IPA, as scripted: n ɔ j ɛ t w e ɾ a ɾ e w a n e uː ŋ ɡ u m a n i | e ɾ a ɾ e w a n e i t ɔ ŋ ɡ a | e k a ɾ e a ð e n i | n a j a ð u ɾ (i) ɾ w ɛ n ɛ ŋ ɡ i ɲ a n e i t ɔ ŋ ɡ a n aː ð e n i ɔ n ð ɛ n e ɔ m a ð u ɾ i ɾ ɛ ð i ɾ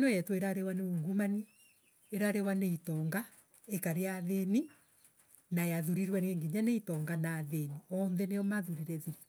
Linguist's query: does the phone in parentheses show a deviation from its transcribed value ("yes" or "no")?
no